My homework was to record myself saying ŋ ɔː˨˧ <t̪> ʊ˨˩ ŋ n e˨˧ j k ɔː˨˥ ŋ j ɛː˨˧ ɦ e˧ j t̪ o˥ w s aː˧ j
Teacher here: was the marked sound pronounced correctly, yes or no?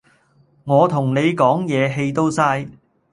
no